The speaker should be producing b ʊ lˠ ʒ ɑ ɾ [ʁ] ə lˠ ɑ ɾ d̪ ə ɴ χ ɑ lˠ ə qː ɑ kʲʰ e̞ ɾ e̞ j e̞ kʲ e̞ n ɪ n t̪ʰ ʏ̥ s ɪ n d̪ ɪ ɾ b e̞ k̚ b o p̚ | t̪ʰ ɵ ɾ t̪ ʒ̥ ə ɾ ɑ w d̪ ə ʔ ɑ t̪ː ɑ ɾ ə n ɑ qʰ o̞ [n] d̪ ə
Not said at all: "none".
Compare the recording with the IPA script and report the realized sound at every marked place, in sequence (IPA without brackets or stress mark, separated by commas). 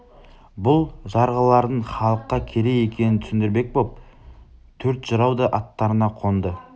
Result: ʁ, n